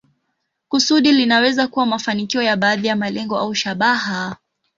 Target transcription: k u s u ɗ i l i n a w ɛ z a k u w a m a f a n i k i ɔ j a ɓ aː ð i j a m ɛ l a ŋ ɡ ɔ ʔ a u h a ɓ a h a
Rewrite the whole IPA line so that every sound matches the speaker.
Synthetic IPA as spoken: k u s u ɗ i l i n a w ɛ z a k u w a m a f a n i k i ɔ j a ɓ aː ð i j a m a l ɛ ŋ ɡ ɔ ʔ a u ʃ a ɓ a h a

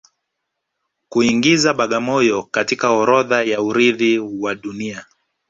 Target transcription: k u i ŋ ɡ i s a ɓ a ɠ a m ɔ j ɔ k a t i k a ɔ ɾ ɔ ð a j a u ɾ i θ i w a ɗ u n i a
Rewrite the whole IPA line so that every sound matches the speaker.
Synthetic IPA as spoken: k u i ŋ ɡ i z a ɓ a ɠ a m ɔ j ɔ k a t i k a ɔ ɾ ɔ ð a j a u ɾ i ð i w a ɗ u n i a

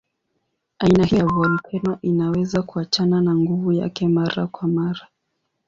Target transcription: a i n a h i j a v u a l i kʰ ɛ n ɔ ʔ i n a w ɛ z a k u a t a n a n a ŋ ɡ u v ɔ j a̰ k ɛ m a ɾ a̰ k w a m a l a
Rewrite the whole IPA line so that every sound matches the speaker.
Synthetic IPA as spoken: a i n a h i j a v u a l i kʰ ɛ n ɔ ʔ i n a w ɛ z a k u a t͡ʃ a n a n a ŋ ɡ u v u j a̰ k ɛ m a ɾ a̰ k w a m a ɾ a

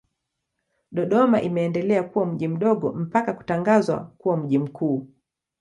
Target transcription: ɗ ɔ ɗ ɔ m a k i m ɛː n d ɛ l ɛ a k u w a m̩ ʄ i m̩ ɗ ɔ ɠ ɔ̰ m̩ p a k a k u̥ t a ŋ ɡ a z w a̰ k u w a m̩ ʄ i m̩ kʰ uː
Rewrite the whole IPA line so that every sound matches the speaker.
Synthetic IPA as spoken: ɗ ɔ ɗ ɔ m a ʔ i m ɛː n d ɛ l ɛ a k u w a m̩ ʄ i m̩ ɗ ɔ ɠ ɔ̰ m̩ p a k a k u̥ t a ŋ ɡ a z w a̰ k u w a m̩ ʄ i m̩ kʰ uː

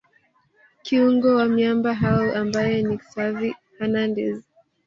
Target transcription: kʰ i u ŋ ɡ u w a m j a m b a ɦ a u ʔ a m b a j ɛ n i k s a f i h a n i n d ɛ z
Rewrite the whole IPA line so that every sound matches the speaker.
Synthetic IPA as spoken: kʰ i u ŋ ɡ ɔ w a m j a m b a ɦ a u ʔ a m b a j ɛ n i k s a v i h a n a n d ɛ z

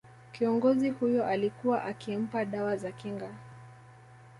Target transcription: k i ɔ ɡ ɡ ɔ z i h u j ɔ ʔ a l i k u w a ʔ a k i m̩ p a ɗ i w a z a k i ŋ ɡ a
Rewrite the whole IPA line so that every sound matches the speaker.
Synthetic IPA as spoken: k i ɔ ŋ ɡ ɔ z i h u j ɔ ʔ a l i k u w a ʔ a k i m̩ p a ɗ a w a z a k i ŋ ɡ a

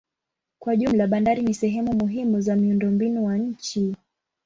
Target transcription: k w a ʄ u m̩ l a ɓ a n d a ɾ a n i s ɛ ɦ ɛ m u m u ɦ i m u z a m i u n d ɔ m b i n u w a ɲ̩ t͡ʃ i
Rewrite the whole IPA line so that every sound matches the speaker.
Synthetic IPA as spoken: k w a ʄ u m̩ l a ɓ a n d a ɾ i n i s ɛ ɦ ɛ m u m u ɦ i m u z a m i u n d ɔ m b i n u w a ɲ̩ t͡ʃ i

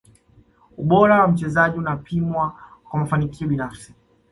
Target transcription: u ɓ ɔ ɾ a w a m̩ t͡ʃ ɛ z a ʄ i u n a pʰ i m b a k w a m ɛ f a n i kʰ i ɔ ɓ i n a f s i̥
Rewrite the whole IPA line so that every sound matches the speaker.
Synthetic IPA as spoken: u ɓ ɔ ɾ a w a m̩ t͡ʃ ɛ z a ʄ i u n a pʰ i m w a k w a m a f a n i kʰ i ɔ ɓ i n a f s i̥

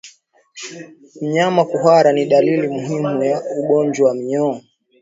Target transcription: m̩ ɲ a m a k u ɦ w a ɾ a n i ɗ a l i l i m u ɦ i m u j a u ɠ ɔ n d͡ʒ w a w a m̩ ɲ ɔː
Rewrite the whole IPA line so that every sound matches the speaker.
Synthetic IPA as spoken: m̩ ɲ a m a k u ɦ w a ɾ a n i ɗ a l i l i m u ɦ i m u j a u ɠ ɔ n d͡ʒ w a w a m̩ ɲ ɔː

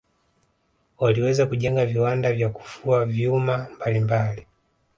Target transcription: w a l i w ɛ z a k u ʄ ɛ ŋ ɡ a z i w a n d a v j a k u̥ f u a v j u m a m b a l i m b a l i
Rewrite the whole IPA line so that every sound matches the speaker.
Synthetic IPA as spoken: w a l i w ɛ z a k u ʄ ɛ ŋ ɡ a v i w a n d a v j a k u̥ f u a v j u m a m b a l i m b a l i

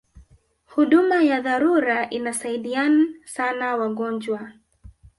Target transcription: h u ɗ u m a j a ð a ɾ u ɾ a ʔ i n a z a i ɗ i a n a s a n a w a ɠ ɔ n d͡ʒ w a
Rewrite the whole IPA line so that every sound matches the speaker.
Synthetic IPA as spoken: h u ɗ u m a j a ð a ɾ u ɾ a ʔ i n a s a i ɗ i a n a s a n a w a ɠ ɔ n d͡ʒ w a

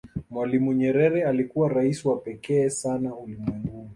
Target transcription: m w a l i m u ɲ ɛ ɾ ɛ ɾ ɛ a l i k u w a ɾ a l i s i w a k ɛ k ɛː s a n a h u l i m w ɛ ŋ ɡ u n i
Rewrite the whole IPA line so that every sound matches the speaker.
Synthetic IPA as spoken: m w a l i m u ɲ ɛ ɾ ɛ ɾ ɛ a l i k u w a ɾ a i s i w a p ɛ k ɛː s a n a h u l i m w ɛ ŋ ɡ u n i

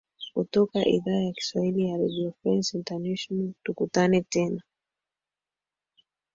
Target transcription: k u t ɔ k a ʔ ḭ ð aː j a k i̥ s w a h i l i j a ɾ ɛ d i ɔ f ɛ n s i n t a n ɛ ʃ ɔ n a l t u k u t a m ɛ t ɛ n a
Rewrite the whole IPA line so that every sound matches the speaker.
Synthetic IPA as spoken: k u t ɔ k a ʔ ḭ ð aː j a k i̥ s w a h i l i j a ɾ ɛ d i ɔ f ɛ n s i n t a n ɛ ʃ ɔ n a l t u k u t a n ɛ t ɛ n a

